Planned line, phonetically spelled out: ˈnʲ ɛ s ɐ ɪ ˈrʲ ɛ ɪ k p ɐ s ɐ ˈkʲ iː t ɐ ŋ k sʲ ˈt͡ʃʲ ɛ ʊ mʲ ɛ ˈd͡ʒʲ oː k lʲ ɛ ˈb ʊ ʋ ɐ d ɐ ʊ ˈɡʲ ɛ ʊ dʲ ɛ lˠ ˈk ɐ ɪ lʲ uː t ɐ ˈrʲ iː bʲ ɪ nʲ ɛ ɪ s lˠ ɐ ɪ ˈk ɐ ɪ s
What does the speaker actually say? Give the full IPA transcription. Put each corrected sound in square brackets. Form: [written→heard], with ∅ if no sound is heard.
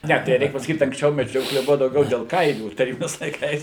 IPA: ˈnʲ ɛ [s→t] ɐ ɪ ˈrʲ ɛ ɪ k p ɐ s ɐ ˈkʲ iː t ɐ ŋ k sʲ ˈt͡ʃʲ ɛ ʊ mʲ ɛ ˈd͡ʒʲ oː k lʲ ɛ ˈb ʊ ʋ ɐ d ɐ ʊ ˈɡʲ ɛ ʊ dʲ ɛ lˠ ˈk ɐ ɪ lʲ uː t ɐ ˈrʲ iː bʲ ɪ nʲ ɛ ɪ s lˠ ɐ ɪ ˈk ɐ ɪ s